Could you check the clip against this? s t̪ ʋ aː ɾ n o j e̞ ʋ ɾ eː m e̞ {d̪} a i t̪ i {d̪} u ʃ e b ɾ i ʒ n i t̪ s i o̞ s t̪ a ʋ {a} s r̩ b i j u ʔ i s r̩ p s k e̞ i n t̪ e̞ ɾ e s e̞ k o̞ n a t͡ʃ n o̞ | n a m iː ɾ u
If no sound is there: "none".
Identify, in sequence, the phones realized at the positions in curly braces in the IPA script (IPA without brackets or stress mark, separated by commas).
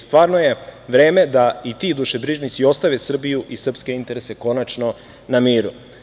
d̪, d̪, e